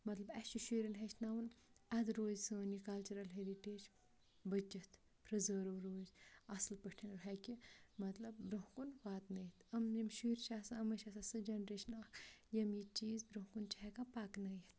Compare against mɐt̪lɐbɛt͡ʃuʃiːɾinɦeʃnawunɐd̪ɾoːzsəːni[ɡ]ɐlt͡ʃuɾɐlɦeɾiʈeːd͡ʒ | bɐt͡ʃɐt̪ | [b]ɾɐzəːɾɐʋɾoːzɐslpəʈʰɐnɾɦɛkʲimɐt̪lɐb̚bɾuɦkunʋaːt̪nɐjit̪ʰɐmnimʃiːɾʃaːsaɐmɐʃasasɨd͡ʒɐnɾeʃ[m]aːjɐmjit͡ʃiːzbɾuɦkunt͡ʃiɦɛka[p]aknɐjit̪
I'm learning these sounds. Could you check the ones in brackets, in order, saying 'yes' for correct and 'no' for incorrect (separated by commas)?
no, no, no, yes